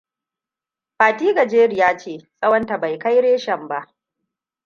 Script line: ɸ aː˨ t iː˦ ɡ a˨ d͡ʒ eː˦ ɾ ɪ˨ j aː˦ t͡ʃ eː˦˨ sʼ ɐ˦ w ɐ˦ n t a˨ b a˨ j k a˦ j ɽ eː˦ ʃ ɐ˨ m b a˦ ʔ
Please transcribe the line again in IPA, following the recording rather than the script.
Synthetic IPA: ɸ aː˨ t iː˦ ɡ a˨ d͡ʒ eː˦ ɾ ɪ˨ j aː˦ t͡ʃ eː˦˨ sʼ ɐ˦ w ɐ˦ n t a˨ b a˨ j k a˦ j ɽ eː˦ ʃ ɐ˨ m b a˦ ʔ